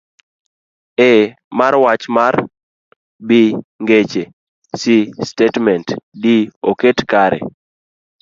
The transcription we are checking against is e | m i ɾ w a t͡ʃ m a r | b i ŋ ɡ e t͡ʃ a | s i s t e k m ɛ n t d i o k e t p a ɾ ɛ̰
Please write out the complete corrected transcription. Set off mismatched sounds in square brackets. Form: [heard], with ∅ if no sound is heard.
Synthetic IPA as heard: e | m [a] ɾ w a t͡ʃ m a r | b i ŋ ɡ e t͡ʃ [e] | s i s t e [t] m ɛ n t d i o k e t [k] a ɾ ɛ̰

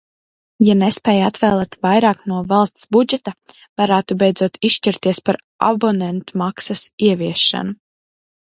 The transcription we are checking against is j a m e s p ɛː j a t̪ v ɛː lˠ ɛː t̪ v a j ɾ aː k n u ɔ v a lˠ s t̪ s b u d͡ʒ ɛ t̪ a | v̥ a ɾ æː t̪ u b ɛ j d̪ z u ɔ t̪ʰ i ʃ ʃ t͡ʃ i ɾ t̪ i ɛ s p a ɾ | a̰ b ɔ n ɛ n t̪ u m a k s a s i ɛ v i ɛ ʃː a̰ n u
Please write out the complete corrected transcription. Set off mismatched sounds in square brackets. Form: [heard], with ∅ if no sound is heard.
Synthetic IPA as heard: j a [n] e s p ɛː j a t̪ v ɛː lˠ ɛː t̪ v a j ɾ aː k n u ɔ v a lˠ s t̪ s b u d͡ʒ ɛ t̪ a | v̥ a ɾ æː t̪ u b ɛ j d̪ z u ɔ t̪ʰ i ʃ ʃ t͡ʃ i ɾ t̪ i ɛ s p a ɾ | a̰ b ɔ n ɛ n t̪ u m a k s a s i ɛ v i ɛ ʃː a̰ n u

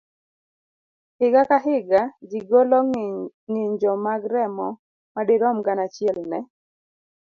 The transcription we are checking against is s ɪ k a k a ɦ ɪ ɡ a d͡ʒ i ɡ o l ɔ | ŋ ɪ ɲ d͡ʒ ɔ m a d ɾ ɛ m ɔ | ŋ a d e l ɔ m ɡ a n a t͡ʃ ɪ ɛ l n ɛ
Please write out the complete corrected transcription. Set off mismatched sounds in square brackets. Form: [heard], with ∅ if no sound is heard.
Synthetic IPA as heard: [h] ɪ [ɡ] a k a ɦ ɪ ɡ a d͡ʒ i ɡ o l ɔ | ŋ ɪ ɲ d͡ʒ ɔ m a [ɡ] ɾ ɛ m ɔ | [m] a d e [ɾ] ɔ m ɡ a n a t͡ʃ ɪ ɛ l n ɛ

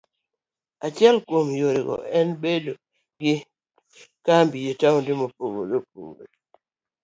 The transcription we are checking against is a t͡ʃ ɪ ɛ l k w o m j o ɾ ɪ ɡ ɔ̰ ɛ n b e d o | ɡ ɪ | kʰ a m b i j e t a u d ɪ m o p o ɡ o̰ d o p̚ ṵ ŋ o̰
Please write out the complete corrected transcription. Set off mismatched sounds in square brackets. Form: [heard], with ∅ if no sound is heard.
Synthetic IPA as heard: a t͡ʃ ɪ ɛ l k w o m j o ɾ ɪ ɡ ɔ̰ ɛ n b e d o | ɡ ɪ | [k] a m b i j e t a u d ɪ m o p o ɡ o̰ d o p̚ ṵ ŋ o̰

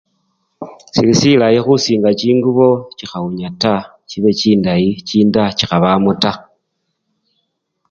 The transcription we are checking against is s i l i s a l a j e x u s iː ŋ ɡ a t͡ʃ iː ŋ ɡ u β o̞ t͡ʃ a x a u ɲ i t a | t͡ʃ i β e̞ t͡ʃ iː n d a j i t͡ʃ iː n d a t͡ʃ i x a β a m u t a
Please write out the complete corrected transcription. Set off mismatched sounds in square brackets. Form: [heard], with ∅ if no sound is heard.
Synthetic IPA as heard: s i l i s [i] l a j e x u s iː ŋ ɡ a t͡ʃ iː ŋ ɡ u β o̞ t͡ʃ [i] x a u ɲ [a] t a | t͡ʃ i β e̞ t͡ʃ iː n d a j i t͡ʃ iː n d a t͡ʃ i x a β a m u t a

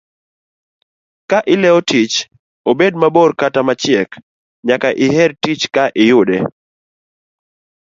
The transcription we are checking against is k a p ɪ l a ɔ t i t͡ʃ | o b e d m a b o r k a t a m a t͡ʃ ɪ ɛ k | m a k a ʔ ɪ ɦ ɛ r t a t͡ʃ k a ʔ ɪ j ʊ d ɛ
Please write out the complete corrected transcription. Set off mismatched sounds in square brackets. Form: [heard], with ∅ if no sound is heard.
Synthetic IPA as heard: k a [ʔ] ɪ l [ɛ] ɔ t i t͡ʃ | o b e d m a b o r k a t a m a t͡ʃ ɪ ɛ k | [ɲ] a k a ʔ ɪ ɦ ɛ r t [i] t͡ʃ k a ʔ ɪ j ʊ d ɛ

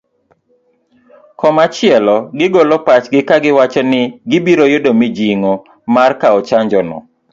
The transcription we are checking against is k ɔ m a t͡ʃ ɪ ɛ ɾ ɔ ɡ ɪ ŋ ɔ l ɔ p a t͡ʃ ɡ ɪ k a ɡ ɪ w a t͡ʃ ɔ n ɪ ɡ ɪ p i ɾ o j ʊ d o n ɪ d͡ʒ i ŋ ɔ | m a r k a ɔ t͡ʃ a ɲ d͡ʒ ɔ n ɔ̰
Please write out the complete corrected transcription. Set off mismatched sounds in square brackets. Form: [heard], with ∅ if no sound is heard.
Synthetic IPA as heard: k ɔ m a t͡ʃ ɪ ɛ [l] ɔ ɡ ɪ [ɡ] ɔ l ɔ p a t͡ʃ ɡ ɪ k a ɡ ɪ w a t͡ʃ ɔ n ɪ ɡ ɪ [b] i ɾ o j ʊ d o [m] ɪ d͡ʒ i ŋ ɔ | m a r k a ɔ t͡ʃ a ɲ d͡ʒ ɔ n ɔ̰

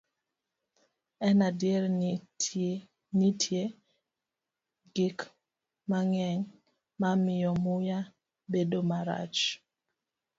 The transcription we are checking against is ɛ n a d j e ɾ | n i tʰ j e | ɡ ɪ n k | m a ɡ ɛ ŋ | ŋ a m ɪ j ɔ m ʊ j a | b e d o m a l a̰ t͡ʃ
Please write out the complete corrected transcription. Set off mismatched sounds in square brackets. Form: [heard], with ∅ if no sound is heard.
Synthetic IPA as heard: ɛ n a d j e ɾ | n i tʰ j e | ɡ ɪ [∅] k | m a [ŋ] ɛ ŋ | [m] a m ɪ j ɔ m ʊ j a | b e d o m a [ɾ] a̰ t͡ʃ

